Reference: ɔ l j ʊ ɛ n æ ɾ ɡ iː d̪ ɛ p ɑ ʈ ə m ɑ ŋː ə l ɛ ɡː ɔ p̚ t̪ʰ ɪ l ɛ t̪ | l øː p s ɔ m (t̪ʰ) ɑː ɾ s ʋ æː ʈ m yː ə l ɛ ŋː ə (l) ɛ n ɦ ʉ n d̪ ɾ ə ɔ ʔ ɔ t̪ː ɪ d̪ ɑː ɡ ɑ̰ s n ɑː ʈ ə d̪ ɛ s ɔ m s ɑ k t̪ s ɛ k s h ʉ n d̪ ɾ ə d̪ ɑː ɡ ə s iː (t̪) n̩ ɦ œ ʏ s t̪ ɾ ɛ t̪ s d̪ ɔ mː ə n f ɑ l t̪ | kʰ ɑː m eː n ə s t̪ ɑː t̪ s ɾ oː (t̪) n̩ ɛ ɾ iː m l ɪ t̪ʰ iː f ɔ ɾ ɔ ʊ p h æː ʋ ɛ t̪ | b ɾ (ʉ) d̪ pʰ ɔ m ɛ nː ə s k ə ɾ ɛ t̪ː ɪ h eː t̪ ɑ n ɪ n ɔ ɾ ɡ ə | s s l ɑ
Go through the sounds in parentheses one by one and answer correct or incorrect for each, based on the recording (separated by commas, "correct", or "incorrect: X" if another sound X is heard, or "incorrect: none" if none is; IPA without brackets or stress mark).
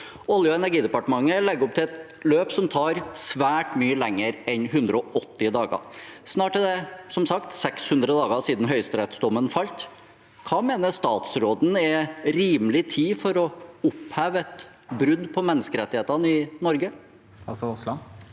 correct, incorrect: ɾ, incorrect: d̪, incorrect: d̪, correct